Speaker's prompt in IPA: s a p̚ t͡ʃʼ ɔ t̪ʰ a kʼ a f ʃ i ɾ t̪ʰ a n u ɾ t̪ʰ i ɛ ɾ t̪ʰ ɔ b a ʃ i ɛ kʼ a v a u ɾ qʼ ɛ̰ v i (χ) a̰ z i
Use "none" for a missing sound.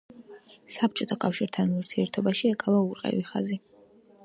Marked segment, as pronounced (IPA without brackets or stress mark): χ